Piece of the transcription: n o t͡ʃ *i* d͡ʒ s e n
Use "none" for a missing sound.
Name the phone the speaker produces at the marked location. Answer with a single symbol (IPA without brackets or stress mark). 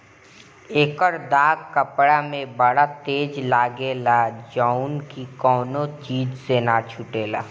iː